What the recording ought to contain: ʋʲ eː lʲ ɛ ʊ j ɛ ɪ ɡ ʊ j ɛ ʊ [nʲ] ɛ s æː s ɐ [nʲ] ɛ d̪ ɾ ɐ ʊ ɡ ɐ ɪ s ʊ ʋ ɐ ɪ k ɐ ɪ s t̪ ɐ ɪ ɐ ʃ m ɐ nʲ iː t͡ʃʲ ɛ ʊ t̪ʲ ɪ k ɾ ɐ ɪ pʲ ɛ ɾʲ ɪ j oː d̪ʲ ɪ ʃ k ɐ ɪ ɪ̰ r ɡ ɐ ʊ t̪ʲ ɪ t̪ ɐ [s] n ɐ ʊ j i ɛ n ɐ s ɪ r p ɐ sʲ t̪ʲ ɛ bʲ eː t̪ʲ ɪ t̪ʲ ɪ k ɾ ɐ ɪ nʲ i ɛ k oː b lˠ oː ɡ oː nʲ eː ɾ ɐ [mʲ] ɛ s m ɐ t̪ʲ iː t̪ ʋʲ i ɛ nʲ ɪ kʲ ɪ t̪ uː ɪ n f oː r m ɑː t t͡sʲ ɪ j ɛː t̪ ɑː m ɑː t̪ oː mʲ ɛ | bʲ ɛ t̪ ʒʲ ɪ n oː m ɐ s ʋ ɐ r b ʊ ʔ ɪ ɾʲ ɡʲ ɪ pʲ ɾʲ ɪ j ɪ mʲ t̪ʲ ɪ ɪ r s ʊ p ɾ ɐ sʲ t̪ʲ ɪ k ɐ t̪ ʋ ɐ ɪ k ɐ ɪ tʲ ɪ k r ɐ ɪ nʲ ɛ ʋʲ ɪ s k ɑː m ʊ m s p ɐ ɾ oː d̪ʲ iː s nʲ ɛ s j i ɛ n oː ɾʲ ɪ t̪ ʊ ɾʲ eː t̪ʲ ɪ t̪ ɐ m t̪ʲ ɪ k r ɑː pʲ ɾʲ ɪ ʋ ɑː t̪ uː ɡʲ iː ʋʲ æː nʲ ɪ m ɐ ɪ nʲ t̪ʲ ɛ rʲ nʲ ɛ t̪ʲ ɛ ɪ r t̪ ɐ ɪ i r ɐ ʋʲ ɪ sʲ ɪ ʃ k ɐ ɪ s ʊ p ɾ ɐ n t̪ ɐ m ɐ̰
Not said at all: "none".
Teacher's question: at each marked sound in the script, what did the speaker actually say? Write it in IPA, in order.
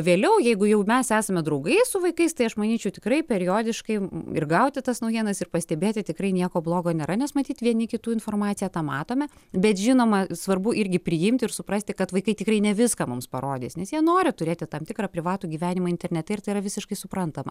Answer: mʲ, mʲ, s, nʲ

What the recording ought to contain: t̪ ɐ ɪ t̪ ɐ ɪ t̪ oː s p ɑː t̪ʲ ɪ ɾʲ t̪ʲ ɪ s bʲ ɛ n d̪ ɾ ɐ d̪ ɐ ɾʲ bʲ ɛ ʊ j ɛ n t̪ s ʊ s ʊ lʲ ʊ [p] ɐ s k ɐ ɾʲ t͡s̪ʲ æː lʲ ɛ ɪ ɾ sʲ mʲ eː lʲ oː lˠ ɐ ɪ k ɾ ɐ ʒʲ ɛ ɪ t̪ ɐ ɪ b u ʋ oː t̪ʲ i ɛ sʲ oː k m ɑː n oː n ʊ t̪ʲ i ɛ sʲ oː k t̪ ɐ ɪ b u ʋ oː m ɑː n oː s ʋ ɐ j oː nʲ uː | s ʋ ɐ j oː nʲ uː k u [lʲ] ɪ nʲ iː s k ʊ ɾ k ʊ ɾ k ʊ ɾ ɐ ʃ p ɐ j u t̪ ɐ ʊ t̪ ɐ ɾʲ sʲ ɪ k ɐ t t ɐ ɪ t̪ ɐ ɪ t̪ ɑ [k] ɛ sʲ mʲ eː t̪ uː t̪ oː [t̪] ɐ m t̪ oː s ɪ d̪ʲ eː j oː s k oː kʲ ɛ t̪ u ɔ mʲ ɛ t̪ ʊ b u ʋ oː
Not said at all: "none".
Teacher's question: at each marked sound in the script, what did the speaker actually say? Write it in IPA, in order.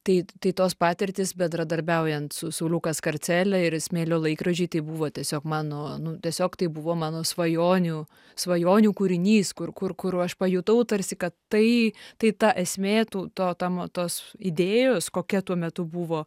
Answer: k, ɾʲ, ʔ, t̪

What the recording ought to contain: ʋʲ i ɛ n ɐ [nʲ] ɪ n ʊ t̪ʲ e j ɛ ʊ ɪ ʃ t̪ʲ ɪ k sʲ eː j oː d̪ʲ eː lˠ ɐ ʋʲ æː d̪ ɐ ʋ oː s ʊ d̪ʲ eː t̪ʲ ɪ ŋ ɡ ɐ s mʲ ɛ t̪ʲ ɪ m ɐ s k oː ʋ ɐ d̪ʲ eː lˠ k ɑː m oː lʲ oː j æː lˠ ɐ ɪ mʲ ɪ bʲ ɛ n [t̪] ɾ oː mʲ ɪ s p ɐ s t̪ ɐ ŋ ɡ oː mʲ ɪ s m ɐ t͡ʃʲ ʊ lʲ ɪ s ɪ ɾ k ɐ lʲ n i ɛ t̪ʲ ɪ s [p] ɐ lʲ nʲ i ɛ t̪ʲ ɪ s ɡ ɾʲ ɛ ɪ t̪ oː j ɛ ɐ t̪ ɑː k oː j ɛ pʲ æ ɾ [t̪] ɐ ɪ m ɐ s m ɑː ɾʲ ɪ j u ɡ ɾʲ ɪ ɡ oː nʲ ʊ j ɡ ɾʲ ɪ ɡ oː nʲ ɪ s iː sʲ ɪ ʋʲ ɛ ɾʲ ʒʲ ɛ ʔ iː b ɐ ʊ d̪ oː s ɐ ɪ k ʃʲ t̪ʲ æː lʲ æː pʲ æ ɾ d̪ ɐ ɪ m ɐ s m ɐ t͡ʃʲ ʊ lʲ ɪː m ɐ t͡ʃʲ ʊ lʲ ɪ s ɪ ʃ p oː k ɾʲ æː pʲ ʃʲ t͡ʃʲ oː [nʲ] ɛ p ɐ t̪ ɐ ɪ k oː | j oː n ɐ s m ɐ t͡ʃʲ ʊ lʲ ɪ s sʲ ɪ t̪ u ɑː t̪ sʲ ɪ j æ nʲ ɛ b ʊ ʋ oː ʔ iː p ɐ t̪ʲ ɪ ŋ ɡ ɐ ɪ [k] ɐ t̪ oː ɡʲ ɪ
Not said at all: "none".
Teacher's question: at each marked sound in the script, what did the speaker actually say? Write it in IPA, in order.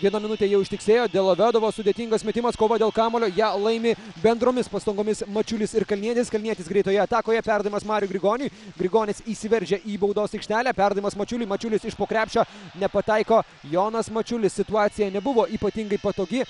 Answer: mʲ, d̪, k, d̪, nʲ, p

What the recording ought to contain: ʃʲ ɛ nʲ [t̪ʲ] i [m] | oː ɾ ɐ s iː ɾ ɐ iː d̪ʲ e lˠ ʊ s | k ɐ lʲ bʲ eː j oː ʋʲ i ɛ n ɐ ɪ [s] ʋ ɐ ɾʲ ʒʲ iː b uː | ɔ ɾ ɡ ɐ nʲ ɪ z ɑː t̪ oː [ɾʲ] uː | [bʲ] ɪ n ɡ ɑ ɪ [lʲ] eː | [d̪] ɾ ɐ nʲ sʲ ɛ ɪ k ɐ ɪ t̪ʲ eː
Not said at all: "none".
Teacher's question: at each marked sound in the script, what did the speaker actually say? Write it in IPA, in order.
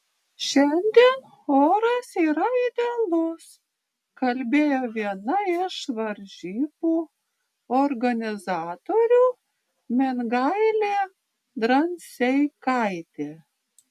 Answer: d̪ʲ, n, ʃ, ɾʲ, mʲ, lʲ, d̪

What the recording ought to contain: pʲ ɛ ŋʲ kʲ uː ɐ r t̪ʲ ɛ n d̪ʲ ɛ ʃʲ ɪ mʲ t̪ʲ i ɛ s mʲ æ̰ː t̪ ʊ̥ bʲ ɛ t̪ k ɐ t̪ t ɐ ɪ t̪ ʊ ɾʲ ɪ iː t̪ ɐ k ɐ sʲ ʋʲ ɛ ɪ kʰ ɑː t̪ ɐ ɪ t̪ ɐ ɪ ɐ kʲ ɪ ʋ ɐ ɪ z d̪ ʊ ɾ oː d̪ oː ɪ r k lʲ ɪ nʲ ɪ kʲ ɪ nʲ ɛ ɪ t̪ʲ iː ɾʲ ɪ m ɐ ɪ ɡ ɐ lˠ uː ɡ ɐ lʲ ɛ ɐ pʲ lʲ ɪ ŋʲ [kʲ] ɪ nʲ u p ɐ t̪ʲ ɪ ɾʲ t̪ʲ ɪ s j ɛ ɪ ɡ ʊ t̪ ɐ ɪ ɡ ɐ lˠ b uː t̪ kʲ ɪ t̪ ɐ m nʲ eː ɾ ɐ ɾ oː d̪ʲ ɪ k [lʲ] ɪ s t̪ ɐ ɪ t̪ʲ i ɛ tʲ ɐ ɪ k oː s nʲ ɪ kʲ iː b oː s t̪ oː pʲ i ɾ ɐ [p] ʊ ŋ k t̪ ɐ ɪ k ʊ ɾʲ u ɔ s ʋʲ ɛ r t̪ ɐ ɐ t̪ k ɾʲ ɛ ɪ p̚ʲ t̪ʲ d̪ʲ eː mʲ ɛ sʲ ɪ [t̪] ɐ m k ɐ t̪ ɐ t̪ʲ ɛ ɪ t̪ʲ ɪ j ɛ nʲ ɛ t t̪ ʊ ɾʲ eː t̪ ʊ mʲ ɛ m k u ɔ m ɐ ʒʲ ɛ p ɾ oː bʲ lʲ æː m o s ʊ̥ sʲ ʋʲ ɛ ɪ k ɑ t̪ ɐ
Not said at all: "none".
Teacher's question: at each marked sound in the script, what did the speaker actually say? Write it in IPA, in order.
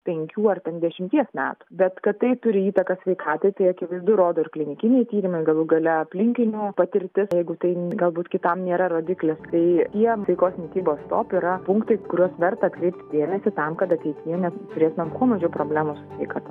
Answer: kʲ, lʲ, p, t̪

